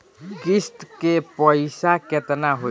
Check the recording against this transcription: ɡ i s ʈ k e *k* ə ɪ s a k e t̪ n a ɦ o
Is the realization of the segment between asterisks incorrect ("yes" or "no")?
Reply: yes